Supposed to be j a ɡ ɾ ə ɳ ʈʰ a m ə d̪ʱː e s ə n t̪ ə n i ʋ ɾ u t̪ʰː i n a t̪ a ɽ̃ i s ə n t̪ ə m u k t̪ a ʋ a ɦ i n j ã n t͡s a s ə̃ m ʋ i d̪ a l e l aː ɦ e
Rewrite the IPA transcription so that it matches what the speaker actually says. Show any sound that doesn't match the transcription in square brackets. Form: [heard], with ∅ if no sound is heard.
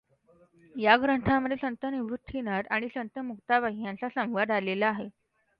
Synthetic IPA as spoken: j a ɡ ɾ ə ɳ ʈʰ a m ə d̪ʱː e s ə n t̪ ə n i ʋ ɾ u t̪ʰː i n a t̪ a ɽ̃ i s ə n t̪ ə m u k t̪ a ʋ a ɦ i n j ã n t͡s a s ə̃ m ʋ [a] d̪ a l e l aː ɦ e